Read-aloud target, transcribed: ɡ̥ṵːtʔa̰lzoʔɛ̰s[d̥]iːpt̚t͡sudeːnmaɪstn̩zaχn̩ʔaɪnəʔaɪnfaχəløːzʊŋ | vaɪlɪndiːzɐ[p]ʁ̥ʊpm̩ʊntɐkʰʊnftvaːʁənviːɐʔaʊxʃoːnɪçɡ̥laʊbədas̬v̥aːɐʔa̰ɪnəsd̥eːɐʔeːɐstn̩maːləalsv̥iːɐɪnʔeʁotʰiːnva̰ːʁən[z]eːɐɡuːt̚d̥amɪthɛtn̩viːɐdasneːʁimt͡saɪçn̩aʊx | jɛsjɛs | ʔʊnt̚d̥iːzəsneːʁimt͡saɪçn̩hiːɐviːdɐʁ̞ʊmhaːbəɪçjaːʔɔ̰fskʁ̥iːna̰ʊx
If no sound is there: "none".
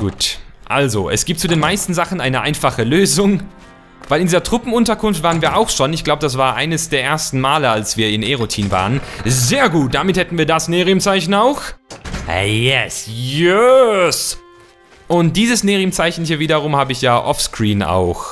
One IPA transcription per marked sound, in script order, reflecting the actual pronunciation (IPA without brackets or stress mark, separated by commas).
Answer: ɡ̥, t, z